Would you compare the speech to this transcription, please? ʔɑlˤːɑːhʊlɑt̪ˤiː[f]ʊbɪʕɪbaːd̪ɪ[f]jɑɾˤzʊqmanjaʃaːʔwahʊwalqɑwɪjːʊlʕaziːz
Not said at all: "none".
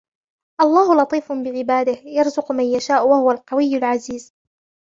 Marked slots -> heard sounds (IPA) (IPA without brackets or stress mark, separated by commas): f, h